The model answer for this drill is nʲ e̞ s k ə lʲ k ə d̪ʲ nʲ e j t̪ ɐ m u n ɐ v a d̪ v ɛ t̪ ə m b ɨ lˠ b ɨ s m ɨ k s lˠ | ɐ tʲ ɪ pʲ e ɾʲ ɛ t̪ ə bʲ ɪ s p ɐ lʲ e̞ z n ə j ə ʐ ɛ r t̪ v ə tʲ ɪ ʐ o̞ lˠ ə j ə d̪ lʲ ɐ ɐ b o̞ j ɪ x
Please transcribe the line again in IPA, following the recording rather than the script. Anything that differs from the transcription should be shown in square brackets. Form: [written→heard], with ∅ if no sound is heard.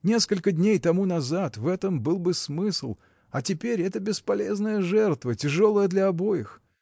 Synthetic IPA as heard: nʲ e̞ s k ə lʲ k ə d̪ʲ nʲ e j t̪ ɐ m u n ɐ [v→z] a [d̪→t̪] v ɛ t̪ ə m b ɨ lˠ b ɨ s m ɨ [k→∅] s lˠ | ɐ tʲ ɪ pʲ e ɾʲ ɛ t̪ ə bʲ ɪ s p ɐ lʲ e̞ z n ə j ə ʐ ɛ r t̪ v ə tʲ ɪ ʐ o̞ lˠ ə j ə d̪ lʲ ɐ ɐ b o̞ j ɪ x